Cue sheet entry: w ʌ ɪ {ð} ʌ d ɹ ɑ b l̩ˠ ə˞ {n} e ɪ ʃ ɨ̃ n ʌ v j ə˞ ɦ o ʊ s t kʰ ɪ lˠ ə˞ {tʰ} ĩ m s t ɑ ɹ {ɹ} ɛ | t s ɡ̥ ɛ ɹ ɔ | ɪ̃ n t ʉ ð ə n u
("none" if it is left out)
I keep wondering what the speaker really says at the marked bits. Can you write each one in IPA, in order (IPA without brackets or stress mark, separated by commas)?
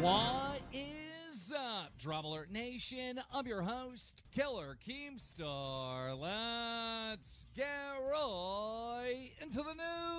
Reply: z, n, kʰ, l